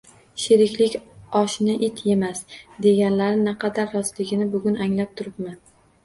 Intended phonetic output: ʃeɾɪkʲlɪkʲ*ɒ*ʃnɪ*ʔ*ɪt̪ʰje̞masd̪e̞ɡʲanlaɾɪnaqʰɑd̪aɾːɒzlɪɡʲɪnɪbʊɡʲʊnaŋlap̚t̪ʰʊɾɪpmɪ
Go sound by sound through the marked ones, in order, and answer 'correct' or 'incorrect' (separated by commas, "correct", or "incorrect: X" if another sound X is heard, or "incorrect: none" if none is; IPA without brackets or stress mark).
correct, correct